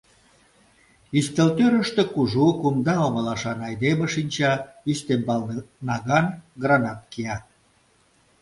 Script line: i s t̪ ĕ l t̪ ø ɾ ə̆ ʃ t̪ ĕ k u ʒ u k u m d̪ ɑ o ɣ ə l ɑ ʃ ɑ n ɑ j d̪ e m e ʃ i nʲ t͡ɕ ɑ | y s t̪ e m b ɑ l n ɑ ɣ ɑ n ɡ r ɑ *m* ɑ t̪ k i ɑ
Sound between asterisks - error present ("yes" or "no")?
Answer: yes